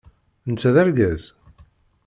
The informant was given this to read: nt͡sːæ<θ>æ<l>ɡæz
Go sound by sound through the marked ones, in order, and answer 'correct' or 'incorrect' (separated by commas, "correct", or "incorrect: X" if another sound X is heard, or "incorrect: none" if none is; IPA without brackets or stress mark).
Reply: incorrect: ð, incorrect: ɾ